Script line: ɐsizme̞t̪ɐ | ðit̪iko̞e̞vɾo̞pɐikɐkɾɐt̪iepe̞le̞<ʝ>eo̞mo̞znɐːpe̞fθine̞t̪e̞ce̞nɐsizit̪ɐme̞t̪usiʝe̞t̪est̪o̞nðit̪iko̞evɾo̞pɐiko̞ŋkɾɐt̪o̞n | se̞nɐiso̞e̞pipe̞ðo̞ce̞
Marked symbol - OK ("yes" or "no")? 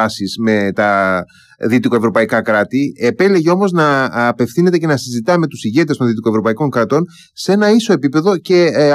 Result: yes